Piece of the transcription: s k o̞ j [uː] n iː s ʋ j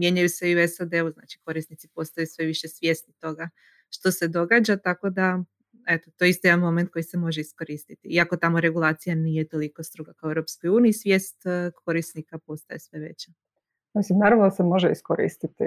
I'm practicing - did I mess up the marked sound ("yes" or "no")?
no